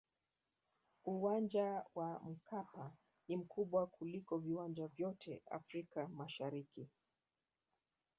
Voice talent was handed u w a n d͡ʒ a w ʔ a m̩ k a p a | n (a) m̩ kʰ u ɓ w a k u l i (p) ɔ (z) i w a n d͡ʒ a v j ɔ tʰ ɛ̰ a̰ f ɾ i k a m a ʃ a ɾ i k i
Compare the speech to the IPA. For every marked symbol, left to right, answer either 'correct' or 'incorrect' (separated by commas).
incorrect, incorrect, incorrect